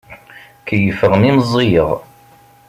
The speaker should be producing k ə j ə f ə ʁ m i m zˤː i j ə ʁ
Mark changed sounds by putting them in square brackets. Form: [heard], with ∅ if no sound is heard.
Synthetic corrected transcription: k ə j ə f ə ʁ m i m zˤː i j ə ʁ